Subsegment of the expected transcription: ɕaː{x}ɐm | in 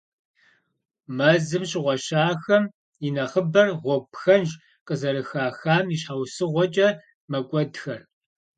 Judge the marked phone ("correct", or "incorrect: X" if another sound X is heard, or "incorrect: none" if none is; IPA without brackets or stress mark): correct